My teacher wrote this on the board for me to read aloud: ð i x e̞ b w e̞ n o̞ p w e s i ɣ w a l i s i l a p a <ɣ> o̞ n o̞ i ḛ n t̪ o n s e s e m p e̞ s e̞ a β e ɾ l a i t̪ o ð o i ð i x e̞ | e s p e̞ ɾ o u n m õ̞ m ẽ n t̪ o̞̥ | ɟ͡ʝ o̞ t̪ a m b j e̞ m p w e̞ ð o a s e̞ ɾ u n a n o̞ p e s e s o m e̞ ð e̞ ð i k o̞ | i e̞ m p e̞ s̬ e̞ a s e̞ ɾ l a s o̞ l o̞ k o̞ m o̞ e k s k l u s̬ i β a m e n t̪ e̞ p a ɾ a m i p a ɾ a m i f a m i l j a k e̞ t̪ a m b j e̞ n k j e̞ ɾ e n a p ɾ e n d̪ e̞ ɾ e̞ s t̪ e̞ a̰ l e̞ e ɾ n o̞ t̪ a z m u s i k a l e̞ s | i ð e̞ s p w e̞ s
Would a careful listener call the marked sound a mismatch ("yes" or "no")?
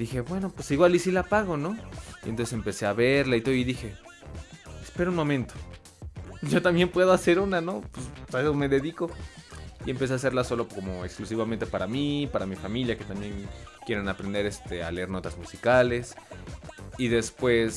no